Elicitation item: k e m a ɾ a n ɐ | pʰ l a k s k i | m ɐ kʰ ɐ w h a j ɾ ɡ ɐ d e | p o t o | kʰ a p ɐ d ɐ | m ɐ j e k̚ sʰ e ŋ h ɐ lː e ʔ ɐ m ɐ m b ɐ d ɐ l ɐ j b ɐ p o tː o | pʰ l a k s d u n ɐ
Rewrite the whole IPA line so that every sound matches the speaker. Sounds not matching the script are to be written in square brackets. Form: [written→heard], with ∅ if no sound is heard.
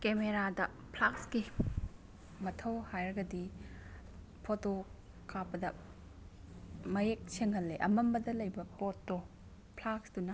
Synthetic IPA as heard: k e m [a→e] ɾ a [n→d] ɐ | pʰ l a k s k i | m ɐ [kʰ→tʰ] ɐ w h a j ɾ ɡ ɐ d [e→i] | [p→pʰ] o t o | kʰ a p ɐ d ɐ | m ɐ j e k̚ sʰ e ŋ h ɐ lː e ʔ ɐ m ɐ m b ɐ d ɐ l ɐ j b ɐ p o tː o | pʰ l a k s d u n ɐ